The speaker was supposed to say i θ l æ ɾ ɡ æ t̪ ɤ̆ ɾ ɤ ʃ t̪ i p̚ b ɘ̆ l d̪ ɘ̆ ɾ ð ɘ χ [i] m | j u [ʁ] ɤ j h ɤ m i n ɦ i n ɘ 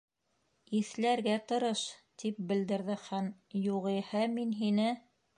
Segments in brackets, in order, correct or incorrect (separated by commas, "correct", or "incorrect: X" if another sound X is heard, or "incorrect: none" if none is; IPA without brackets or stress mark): incorrect: æ, correct